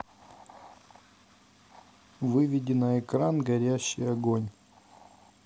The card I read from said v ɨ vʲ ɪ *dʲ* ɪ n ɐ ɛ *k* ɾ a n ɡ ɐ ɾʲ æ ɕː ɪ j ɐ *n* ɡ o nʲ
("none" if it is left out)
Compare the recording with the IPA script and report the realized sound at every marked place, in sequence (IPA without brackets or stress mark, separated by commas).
dʲ, k, none